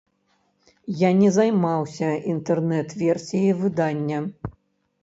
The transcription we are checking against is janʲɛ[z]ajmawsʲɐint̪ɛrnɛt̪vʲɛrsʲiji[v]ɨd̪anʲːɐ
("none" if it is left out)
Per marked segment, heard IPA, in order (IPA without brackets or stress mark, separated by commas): z, v